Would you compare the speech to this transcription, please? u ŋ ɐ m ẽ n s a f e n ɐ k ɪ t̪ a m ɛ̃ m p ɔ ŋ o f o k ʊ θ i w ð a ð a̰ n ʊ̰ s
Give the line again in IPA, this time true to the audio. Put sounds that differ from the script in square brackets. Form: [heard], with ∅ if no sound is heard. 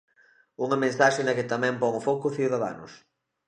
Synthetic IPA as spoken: u ŋ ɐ m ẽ n s a [ʃ] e n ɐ k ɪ t̪ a m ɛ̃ m p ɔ ŋ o f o k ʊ θ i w ð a ð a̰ n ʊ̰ s